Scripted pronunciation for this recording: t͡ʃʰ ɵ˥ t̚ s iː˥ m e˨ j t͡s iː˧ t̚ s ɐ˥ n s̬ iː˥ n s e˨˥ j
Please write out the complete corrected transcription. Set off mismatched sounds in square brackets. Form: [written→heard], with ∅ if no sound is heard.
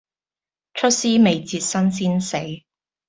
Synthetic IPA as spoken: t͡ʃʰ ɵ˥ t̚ s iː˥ m e˨ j t͡s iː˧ t̚ s ɐ˥ n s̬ iː˥ n s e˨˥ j